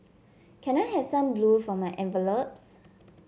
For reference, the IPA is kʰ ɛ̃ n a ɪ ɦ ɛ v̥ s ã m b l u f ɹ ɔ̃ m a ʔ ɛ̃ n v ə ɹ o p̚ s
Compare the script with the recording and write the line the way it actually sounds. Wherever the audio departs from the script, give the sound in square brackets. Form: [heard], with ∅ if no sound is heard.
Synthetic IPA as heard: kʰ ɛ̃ n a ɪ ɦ ɛ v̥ s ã m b l u f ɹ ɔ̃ m a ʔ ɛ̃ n v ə [l] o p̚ s

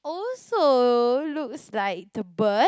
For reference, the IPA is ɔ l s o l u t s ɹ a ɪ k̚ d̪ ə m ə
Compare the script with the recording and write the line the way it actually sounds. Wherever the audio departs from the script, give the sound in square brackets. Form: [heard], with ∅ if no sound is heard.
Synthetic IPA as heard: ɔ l s o l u [k] s [l] a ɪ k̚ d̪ ə [b] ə

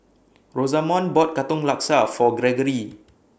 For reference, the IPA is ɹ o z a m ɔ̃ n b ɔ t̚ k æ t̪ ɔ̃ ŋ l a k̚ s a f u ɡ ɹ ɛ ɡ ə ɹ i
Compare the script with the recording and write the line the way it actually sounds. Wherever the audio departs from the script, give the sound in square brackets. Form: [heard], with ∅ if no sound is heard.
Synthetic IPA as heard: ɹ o z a m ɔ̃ n b ɔ t̚ k [a] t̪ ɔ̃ ŋ l a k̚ s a f [ɔ] ɡ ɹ ɛ ɡ ə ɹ i

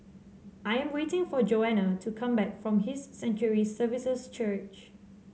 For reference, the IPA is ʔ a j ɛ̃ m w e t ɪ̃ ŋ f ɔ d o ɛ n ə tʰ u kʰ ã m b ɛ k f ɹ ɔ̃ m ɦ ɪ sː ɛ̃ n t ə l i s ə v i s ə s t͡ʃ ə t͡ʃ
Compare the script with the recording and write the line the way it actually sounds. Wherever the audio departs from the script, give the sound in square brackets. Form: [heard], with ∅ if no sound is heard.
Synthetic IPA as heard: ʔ a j ɛ̃ m w e t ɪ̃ ŋ f ɔ [d͡ʒ] o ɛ n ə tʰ u kʰ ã m b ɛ k f ɹ ɔ̃ m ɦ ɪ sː ɛ̃ n [t͡ʃ] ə [ɹ] i s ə v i s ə s t͡ʃ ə t͡ʃ

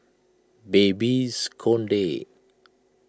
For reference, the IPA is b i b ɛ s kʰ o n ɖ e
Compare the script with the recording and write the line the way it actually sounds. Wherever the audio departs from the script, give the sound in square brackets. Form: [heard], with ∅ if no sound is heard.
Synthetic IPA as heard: b [e] b [i] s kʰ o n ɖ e

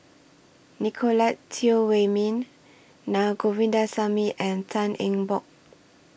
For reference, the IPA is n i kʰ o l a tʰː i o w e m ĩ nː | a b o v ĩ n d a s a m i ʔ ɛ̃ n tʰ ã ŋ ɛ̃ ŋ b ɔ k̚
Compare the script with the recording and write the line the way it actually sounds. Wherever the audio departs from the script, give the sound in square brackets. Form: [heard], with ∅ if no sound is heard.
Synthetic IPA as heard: n i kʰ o l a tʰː i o w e m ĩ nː | a [ɡ] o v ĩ n d a s a m i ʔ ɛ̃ n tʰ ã [n] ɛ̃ ŋ b ɔ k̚

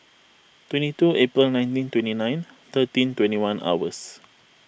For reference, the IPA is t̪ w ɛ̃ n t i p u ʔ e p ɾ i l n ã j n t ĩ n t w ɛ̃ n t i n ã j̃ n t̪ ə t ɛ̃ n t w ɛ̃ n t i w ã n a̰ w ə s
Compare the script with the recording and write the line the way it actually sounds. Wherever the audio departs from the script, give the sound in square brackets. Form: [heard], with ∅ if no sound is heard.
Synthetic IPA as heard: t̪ w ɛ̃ n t i [t] u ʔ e p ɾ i l n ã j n t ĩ n t w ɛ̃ n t i n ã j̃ n t̪ ə t [ĩ] n t w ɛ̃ n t i w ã n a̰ w ə s

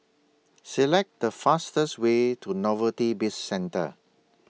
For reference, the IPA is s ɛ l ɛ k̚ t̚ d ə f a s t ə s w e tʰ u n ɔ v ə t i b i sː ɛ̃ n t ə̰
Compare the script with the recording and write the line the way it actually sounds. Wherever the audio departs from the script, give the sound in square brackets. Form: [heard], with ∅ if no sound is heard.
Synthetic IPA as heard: s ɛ l ɛ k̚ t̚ d ə f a s t ə s w e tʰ u n ɔ v ə t i b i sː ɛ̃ n t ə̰

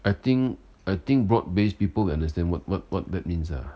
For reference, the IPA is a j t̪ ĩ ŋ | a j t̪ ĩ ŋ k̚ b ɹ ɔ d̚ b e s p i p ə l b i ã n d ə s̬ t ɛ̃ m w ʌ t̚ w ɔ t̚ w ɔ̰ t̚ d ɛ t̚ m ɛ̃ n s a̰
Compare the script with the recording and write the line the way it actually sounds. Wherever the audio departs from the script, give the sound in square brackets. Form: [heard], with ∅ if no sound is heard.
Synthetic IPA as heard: a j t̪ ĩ ŋ | a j t̪ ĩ ŋ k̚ b ɹ ɔ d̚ b e s p i p ə l [w] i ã n d ə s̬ t ɛ̃ [n] w [ɔ] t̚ w ɔ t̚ w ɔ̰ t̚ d ɛ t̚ m [ĩ] n s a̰

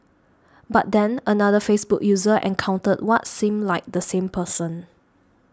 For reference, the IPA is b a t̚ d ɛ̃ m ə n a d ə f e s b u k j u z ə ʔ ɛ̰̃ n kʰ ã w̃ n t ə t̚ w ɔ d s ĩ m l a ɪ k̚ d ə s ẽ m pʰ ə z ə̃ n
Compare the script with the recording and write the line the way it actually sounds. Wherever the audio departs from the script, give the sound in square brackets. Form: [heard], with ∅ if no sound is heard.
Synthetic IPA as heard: b a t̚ d ɛ̃ [n] ə n a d ə f e s b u k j u z ə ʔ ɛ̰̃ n kʰ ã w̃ n t ə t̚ w ɔ [t] s ĩ m l a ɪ k̚ d ə s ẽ m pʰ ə [s] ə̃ n

